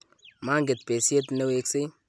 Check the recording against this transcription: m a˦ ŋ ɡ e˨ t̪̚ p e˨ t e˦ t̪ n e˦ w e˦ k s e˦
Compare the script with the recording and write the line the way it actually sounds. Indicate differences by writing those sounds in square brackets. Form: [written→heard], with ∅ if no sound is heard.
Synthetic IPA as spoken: m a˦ ŋ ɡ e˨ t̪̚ p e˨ [t→s] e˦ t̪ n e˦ w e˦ k s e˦